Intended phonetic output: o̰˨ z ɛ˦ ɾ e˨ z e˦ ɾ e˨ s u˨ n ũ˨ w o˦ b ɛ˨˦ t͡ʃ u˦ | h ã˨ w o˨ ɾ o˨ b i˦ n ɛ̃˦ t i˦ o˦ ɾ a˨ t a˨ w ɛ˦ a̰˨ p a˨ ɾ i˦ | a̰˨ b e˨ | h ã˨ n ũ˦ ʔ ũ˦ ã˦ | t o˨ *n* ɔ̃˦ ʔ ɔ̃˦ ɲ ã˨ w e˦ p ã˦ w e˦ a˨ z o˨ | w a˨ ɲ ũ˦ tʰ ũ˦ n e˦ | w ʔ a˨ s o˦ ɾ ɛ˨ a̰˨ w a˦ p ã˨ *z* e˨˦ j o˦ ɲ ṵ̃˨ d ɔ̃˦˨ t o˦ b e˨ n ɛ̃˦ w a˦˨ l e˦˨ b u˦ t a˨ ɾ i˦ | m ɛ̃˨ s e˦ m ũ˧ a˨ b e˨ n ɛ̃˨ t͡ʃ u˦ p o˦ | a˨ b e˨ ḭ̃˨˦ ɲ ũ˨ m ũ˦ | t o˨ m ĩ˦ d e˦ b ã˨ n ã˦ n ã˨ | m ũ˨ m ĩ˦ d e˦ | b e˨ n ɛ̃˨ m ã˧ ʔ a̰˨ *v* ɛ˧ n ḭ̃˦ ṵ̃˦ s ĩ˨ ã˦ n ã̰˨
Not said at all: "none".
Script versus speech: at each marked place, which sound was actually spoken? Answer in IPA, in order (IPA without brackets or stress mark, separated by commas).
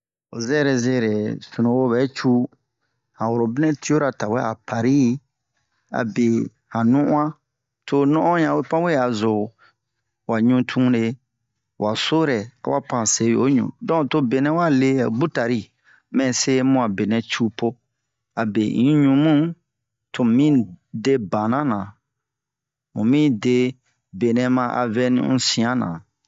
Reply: n, s, v